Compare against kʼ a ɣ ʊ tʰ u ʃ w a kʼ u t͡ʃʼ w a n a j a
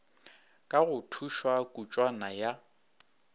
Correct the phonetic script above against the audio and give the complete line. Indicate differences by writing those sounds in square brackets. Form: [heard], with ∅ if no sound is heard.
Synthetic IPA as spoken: kʼ a ɣ ʊ tʰ u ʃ w a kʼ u t͡ʃʼ w a n a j a